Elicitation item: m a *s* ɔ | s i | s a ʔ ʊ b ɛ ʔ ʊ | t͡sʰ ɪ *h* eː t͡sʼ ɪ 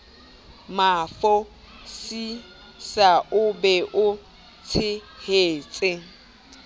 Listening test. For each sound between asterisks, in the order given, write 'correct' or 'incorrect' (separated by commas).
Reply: incorrect, correct